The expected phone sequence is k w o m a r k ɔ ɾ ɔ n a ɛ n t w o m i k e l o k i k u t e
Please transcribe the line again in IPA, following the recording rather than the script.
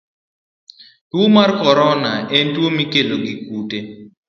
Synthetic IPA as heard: t w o m a r k ɔ ɾ ɔ n a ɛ n t w o m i k e l o ɡ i k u t e

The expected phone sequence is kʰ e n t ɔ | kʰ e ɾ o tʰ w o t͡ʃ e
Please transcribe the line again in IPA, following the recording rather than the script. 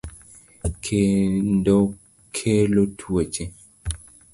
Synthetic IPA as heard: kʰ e n d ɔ | kʰ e l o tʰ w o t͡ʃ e

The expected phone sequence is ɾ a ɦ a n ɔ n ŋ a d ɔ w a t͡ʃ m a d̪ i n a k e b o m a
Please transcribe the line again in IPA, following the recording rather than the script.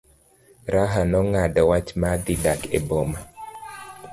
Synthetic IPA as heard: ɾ a ɦ a n ɔ ŋ a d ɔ w a t͡ʃ m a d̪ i d a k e b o m a

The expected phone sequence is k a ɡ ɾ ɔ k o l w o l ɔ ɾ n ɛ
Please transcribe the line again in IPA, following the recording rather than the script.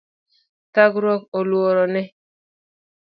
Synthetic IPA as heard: t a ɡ ɾ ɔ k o l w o ɾ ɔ n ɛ

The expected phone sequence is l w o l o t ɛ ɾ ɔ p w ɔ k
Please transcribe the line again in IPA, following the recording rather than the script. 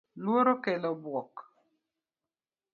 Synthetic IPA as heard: l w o ɾ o k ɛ l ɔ b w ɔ k

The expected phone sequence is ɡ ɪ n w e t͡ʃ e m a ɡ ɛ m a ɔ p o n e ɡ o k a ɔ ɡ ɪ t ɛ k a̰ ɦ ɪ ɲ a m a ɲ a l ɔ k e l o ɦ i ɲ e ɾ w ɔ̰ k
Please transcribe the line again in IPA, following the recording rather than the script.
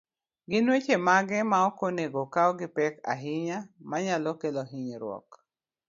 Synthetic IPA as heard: ɡ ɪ n w e t͡ʃ e m a ɡ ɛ m a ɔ k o n e ɡ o k a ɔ ɡ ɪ p ɛ k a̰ ɦ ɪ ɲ a m a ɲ a l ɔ k e l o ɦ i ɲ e ɾ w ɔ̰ k

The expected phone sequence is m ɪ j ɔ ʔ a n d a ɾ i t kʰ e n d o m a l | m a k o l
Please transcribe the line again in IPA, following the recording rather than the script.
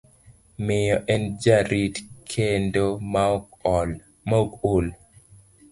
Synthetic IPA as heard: m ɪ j ɔ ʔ ɛ n d͡ʒ a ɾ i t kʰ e n d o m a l | m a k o l

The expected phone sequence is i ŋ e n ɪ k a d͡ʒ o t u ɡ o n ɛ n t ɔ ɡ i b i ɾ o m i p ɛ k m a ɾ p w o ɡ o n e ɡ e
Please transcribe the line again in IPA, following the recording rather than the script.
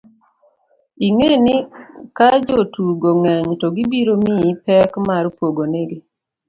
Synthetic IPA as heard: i ŋ e n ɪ k a d͡ʒ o t u ɡ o ŋ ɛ ɲ t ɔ ɡ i b i ɾ o m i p ɛ k m a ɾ p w o ɡ o n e ɡ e

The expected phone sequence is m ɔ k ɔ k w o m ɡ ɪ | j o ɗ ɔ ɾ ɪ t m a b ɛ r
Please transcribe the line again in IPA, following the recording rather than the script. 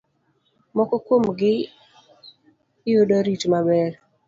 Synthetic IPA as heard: m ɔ k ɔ k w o m ɡ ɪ | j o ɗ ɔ ɾ i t m a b ɛ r

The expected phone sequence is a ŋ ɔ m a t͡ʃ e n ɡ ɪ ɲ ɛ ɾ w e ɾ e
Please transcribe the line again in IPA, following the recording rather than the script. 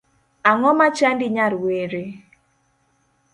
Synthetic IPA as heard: a ŋ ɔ m a t͡ʃ a n d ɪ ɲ a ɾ w e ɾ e

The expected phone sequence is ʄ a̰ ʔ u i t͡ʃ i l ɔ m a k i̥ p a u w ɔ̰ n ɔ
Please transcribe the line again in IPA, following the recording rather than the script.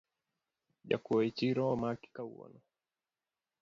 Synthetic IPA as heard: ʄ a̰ k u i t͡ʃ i ɾ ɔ m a k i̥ k a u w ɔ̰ n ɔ

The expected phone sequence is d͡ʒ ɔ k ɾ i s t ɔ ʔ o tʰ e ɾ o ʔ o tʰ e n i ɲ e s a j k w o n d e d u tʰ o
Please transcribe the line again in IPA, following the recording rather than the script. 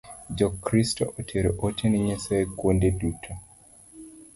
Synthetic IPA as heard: d͡ʒ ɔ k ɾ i s t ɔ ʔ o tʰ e ɾ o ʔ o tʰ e n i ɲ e s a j k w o n d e d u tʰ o

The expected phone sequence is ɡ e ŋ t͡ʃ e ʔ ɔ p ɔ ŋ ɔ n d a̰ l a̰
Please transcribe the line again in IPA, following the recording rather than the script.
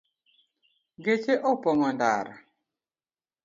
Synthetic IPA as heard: ɡ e t͡ʃ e ʔ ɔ p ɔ ŋ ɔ n d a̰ ɾ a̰

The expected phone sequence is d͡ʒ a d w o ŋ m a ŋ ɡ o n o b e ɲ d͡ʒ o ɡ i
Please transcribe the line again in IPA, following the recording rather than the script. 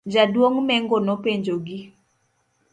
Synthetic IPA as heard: d͡ʒ a d w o ŋ m ɛ ŋ ɡ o n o p e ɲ d͡ʒ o ɡ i

